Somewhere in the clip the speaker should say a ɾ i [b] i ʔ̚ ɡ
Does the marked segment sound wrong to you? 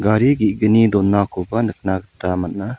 yes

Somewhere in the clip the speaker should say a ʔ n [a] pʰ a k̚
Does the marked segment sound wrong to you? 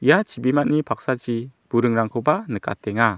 yes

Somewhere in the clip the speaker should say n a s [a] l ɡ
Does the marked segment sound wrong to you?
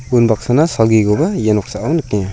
no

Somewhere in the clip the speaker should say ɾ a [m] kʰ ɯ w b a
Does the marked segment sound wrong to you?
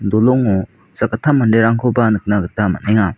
yes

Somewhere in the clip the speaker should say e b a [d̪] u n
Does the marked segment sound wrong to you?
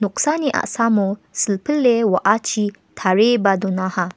no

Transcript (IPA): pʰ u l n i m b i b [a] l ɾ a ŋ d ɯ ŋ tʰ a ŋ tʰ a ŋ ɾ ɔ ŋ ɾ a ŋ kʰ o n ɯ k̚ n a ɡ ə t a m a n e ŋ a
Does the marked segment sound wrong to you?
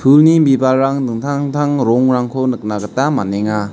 no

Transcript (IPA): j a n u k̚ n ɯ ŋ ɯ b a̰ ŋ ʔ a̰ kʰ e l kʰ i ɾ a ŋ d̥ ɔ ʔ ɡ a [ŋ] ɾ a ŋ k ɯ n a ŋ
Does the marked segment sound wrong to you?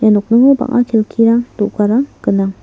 yes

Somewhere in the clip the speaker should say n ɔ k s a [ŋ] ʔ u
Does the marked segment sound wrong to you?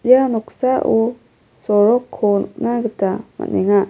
yes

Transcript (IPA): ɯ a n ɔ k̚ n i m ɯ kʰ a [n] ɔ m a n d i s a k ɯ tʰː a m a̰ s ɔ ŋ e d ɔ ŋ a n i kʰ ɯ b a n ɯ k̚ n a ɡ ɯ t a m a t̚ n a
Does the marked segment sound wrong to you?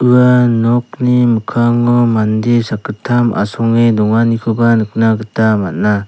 yes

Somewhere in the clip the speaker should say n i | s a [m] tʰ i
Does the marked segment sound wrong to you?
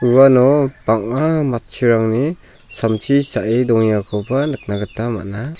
no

